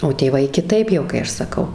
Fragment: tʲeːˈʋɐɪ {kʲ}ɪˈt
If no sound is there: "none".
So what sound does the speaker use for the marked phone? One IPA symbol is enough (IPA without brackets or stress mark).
kʲ